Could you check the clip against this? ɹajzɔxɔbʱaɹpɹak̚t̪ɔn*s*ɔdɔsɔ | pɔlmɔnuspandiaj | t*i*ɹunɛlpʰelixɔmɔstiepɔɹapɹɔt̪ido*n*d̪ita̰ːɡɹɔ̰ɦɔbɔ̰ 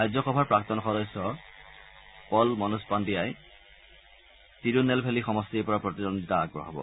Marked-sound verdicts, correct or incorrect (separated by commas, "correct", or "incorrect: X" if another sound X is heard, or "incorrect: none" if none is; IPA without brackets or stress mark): incorrect: x, correct, correct